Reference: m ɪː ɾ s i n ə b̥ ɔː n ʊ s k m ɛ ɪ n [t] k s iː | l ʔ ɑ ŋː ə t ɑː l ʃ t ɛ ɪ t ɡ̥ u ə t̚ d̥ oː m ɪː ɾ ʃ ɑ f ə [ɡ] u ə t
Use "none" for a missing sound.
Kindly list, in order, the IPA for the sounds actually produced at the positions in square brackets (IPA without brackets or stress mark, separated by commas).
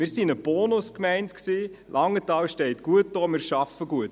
t, ɡ